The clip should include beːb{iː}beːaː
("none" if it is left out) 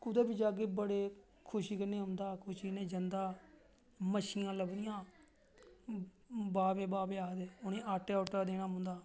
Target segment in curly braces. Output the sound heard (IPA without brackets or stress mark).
aː